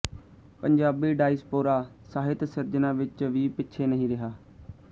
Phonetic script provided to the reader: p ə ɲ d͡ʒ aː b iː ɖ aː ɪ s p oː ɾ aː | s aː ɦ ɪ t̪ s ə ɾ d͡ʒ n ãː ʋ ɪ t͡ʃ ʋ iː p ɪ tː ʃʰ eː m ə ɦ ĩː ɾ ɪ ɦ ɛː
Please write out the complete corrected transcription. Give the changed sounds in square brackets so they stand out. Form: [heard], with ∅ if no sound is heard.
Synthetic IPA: p ə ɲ d͡ʒ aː b iː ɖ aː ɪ s p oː ɾ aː | s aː ɦ ɪ t̪ s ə ɾ d͡ʒ n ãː ʋ ɪ t͡ʃ ʋ iː p ɪ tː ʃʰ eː [n] ə ɦ ĩː ɾ ɪ ɦ [aː]